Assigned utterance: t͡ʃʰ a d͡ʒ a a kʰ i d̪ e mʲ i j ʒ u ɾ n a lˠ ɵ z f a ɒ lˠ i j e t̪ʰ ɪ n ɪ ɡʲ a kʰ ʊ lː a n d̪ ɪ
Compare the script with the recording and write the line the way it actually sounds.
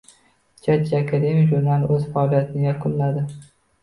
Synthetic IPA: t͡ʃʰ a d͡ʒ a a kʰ a d̪ e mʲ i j ʒ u ɾ n a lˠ ɵ z f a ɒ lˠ i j a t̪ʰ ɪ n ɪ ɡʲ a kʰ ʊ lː a d̪ ɪ

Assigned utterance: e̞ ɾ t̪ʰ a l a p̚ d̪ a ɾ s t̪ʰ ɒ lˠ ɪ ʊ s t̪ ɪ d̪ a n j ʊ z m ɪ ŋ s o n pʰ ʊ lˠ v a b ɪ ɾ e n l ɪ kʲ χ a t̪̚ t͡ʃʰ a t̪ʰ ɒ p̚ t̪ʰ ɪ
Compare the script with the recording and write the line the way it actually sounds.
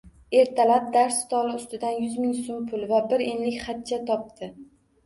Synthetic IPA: e̞ ɾ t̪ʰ a l a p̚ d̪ a ɾ s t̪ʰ ɒ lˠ ɪ ʊ s t̪ ɪ d̪ a n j ʊ z m ɪ ŋ s o m pʰ ʊ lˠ v a b ɪ ɾ e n l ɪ kʲ χ a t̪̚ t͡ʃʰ a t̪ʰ ɒ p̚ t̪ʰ ɪ

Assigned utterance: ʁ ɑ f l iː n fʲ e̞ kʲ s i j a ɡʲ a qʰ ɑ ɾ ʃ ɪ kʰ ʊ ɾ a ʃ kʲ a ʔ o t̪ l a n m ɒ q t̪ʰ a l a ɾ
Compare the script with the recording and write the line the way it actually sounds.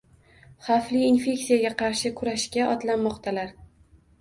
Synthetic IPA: χ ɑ f l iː n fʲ e̞ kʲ s i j a ɡʲ a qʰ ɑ ɾ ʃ ɪ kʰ ʊ ɾ a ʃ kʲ a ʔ ɒ t̪ l a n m ɒ q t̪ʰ a l a ɾ

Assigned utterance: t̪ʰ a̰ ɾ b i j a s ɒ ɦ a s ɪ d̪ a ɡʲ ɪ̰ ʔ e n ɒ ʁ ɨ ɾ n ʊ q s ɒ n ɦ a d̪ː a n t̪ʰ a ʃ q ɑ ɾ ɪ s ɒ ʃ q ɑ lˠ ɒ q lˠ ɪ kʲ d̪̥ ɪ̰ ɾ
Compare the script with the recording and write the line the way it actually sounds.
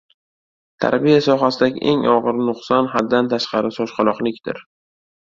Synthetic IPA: t̪ʰ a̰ ɾ b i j a s ɒ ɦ a s ɪ d̪ a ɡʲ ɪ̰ ʔ e ŋ ɒ ʁ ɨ ɾ n ʊ q s ɒ n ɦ a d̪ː a n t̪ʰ a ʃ q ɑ ɾ ɪ s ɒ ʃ q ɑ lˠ ɒ q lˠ ɪ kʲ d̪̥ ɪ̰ ɾ

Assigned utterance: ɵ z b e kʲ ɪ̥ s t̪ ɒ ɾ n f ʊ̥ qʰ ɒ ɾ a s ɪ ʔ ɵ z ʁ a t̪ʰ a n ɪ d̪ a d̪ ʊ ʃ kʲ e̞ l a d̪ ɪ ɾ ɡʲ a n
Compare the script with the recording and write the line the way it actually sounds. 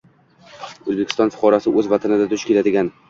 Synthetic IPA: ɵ z b e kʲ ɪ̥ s t̪ ɒ n f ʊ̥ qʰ ɒ ɾ a s ɪ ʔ ɵ z v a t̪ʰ a n ɪ d̪ a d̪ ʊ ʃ kʲ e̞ l a d̪ ɪ ɡʲ a n

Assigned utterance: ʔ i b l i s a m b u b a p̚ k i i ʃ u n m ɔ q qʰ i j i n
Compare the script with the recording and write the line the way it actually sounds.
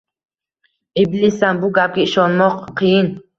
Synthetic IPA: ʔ i b l i s a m b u ɡ a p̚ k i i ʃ ɔ n m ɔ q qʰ i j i n

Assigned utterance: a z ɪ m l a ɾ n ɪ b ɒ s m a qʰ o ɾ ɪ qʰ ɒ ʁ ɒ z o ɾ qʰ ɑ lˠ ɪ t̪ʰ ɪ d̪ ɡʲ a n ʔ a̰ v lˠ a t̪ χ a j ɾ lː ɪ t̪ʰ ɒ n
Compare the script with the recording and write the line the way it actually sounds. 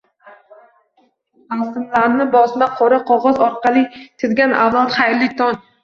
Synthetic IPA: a s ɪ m l a ɾ n ɪ b ɒ s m a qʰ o ɾ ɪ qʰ ɒ ʁ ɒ z ɒ ɾ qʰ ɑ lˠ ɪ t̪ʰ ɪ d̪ ɡʲ a n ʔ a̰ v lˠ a t̪ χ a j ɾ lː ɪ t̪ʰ ɒ n

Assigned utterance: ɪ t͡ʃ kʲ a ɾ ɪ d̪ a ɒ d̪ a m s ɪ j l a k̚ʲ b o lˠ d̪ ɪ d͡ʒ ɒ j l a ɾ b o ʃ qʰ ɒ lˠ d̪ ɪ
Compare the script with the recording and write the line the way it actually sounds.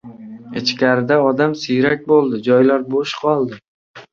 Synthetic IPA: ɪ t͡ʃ kʲ a ɾ ɪ d̪ a ɒ d̪ a m s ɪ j ɾ a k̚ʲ b o lˠ d̪ ɪ d͡ʒ ɒ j l a ɾ b o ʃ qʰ ɒ lˠ d̪ ɪ

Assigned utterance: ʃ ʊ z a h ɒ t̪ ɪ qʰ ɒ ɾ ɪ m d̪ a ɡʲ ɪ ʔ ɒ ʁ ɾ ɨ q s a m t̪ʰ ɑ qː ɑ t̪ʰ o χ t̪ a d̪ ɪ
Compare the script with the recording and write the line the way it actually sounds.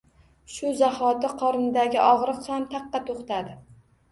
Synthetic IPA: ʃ ʊ z a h ɒ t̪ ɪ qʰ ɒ ɾ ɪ n d̪ a ɡʲ ɪ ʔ ɒ ʁ ɾ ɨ q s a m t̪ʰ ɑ qː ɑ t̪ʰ o χ t̪ a d̪ ɪ

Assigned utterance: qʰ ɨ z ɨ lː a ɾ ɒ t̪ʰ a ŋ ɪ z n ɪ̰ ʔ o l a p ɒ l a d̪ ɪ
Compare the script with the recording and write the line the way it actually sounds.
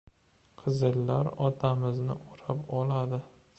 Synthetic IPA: qʰ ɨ z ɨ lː a ɾ ɒ t̪ʰ a m ɪ z n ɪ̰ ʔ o ɾ a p ɒ l a d̪ ɪ

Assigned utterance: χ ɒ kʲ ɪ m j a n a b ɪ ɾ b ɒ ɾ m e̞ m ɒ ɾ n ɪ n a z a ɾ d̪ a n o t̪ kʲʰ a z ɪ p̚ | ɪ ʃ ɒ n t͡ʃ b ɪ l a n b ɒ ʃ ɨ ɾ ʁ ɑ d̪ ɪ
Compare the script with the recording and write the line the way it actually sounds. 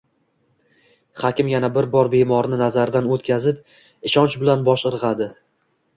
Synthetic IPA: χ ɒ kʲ ɪ m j a n a b ɪ ɾ b ɒ ɾ b e̞ m ɒ ɾ n ɪ n a z a ɾ d̪ a n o t̪ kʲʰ a z ɪ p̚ | ɪ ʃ ɒ n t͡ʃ b ɪ l a n b ɒ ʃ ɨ ɾ ʁ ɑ d̪ ɪ

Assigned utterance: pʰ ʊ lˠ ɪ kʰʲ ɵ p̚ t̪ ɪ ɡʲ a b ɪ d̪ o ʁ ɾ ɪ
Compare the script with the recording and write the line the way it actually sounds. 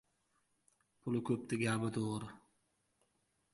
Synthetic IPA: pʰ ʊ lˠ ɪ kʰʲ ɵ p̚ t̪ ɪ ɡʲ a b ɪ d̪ o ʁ ɾ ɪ

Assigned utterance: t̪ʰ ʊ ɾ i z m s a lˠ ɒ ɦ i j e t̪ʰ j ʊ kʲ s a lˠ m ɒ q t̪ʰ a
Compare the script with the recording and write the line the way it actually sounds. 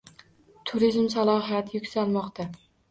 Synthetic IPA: t̪ʰ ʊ ɾ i z m s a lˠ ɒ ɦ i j a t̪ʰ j ʊ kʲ s a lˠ m ɒ q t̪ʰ a

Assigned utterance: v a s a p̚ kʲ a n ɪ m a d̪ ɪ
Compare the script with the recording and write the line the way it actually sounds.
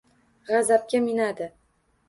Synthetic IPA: ʁ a z a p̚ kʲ a m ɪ n a d̪ ɪ

